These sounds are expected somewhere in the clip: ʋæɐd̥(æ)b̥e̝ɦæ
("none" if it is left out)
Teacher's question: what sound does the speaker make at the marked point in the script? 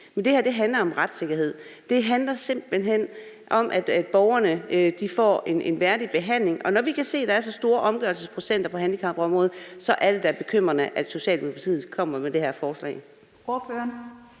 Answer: i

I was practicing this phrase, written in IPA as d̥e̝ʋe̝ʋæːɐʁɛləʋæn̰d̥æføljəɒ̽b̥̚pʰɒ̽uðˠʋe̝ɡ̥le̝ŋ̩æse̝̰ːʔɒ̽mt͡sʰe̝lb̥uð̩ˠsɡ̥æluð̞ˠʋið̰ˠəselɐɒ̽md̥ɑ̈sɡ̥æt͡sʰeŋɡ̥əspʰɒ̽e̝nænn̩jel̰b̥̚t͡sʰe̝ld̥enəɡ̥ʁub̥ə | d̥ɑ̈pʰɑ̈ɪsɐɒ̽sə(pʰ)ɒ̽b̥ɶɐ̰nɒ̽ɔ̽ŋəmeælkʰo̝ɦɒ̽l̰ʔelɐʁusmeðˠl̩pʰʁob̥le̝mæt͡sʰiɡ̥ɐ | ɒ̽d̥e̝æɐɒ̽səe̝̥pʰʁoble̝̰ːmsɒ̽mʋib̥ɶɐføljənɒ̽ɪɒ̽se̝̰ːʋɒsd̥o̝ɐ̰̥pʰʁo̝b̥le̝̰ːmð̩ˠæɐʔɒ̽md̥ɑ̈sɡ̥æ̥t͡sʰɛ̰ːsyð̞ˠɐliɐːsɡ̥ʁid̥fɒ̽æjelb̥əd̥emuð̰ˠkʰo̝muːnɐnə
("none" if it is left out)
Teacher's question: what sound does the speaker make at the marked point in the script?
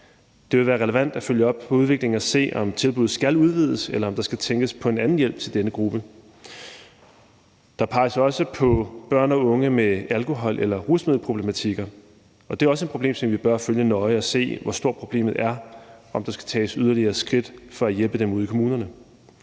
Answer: pʰ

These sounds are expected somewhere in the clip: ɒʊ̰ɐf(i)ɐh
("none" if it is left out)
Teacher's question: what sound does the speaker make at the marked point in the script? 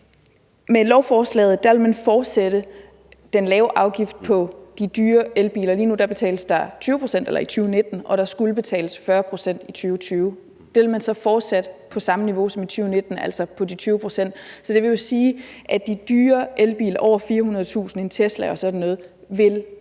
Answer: iː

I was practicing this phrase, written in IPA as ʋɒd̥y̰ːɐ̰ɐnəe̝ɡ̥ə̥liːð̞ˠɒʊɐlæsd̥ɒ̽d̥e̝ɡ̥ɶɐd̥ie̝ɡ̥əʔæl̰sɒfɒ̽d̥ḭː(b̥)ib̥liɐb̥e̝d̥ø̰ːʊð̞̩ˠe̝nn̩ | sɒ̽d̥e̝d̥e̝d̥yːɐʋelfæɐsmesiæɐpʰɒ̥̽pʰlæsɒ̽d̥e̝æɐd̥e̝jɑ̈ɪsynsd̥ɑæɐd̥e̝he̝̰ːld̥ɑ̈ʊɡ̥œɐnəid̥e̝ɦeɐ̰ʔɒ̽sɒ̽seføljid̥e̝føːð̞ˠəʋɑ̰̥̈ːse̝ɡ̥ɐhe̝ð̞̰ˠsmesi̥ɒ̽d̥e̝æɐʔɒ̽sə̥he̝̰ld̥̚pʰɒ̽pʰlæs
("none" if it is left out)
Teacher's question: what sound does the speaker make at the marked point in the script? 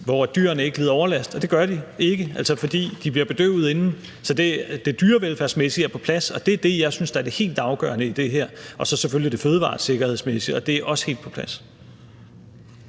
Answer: d̥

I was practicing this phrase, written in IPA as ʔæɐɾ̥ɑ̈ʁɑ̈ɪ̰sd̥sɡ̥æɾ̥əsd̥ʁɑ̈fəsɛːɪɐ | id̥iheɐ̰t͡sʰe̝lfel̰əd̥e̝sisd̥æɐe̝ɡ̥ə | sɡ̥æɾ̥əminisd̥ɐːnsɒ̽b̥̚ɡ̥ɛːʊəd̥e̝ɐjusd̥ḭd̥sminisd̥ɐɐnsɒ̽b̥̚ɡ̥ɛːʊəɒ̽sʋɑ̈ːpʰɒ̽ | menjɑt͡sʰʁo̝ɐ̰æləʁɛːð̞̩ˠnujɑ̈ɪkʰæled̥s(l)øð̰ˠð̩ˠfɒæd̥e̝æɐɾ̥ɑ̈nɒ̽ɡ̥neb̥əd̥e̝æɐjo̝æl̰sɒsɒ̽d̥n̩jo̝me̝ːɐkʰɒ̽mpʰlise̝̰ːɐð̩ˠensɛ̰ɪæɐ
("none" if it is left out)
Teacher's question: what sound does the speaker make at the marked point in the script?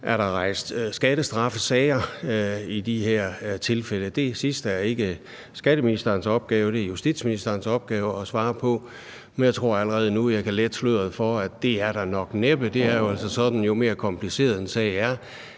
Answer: l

